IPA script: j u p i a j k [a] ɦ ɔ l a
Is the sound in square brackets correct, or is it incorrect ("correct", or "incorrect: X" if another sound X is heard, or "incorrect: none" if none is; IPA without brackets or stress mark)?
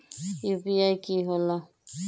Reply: incorrect: i